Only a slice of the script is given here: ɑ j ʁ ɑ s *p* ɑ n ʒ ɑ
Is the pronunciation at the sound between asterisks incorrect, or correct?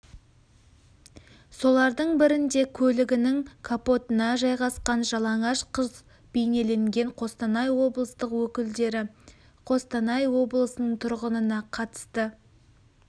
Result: incorrect